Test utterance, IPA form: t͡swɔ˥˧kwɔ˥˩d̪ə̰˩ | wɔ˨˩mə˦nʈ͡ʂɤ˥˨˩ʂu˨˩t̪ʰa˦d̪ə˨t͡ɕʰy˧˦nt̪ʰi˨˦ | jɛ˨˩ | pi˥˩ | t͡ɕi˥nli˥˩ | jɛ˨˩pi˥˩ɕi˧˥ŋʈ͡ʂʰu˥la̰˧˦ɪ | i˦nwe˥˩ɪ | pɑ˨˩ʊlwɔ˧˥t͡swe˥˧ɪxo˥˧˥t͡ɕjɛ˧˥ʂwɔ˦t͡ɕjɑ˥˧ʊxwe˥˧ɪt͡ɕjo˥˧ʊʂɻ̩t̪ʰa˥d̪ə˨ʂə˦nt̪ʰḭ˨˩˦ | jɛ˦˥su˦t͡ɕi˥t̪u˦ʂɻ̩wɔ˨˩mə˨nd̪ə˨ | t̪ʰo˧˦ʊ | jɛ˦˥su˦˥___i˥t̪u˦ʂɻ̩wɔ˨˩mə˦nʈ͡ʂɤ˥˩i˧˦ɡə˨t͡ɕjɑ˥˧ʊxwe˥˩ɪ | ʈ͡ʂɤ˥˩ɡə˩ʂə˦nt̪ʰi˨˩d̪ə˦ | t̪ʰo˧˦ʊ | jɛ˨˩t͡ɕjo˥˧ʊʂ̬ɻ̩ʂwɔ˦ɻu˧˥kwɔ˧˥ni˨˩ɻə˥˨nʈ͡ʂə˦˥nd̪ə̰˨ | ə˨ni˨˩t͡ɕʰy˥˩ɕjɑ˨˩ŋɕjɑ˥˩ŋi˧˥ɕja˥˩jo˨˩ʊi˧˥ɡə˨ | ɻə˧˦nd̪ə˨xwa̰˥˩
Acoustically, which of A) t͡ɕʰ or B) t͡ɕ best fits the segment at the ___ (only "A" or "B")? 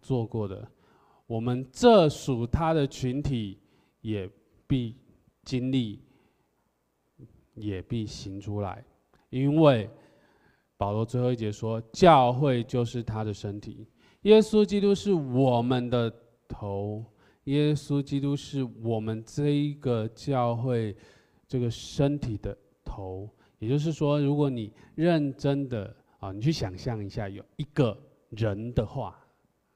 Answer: B